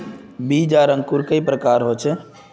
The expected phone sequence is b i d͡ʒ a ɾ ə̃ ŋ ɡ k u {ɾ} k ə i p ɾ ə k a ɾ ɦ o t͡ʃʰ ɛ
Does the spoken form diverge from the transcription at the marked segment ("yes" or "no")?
no